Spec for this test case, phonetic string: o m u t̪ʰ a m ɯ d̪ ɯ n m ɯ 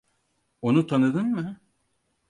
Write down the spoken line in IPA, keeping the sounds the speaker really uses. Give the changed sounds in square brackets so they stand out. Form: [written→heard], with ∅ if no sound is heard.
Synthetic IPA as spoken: o [m→n] u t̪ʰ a [m→n] ɯ d̪ ɯ n m ɯ